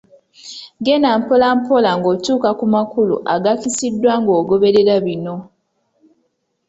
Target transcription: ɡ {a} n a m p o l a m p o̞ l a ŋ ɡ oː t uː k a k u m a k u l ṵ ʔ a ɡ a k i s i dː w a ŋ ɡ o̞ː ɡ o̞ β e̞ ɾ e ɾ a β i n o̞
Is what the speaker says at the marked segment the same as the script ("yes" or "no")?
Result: no